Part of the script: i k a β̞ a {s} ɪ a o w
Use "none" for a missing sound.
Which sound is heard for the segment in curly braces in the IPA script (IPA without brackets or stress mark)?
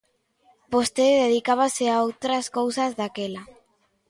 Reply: s